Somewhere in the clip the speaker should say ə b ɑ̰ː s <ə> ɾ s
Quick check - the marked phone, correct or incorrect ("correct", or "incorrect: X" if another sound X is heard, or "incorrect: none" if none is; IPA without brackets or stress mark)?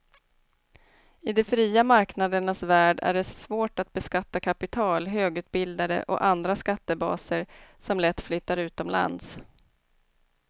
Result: correct